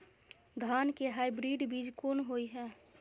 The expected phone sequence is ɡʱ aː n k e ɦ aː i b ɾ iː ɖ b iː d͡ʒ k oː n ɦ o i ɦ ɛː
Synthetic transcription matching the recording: ɡʱ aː n k e ɦ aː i b ɾ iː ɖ b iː d͡ʒ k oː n ɦ o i ɦ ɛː